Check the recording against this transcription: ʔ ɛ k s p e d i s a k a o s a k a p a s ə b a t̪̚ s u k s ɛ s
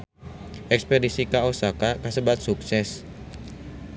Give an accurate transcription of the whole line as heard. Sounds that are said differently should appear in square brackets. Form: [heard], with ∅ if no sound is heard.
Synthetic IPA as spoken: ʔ ɛ k s p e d i s [i] k a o s a k a [k] a s ə b a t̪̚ s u k s ɛ s